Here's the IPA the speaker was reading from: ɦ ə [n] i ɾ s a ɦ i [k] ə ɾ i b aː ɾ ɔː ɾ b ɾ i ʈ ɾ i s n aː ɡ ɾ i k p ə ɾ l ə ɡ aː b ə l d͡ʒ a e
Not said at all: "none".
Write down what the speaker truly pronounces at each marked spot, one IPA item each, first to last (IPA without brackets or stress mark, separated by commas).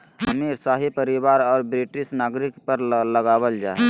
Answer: m, p